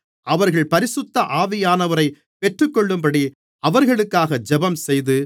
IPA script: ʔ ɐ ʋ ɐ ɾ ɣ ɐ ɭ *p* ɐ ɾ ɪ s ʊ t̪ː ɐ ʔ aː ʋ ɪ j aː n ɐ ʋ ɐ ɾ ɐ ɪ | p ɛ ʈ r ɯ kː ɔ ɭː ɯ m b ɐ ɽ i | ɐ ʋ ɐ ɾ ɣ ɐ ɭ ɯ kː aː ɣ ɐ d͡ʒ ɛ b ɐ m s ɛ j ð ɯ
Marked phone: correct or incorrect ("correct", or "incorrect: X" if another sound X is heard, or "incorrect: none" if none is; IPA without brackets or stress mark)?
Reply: correct